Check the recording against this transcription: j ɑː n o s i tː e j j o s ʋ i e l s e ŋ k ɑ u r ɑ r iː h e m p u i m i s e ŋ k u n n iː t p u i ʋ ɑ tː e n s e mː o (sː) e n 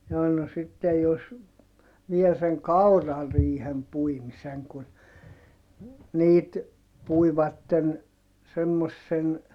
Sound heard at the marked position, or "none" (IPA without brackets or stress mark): sː